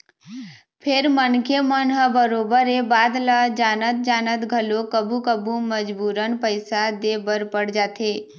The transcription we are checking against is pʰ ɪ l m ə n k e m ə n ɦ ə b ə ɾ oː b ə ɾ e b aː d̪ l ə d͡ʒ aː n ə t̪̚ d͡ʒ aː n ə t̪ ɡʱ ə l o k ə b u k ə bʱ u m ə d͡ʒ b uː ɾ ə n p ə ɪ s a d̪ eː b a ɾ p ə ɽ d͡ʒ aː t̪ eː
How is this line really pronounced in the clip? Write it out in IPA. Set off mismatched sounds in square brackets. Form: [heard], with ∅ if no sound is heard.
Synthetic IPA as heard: pʰ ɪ [ɾ] m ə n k e m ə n ɦ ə b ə ɾ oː b ə ɾ e b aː d̪ l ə d͡ʒ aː n ə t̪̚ d͡ʒ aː n ə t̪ ɡʱ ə l o k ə b u k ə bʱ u m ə d͡ʒ b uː ɾ ə n p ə ɪ s a d̪ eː b [ə] ɾ p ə ɽ d͡ʒ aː t̪ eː